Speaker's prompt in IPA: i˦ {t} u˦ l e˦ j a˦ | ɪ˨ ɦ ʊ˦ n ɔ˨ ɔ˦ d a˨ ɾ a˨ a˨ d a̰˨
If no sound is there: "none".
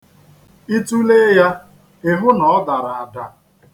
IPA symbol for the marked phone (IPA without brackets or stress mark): t